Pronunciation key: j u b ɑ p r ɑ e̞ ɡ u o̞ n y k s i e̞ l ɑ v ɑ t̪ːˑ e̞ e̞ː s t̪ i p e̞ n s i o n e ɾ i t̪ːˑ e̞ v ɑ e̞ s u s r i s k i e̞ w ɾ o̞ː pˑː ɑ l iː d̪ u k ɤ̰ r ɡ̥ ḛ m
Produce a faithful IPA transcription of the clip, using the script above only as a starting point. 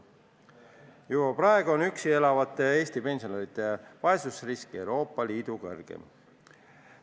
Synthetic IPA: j u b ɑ p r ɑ e̞ ɡ u o̞ n y k s i e̞ l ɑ v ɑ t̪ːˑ e̞ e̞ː s t̪ i p e̞ n s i o n e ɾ i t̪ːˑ e̞ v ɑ e̞ s u s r i s k i e̞ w ɾ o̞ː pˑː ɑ l iː d̪ u k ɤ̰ r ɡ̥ ḛ m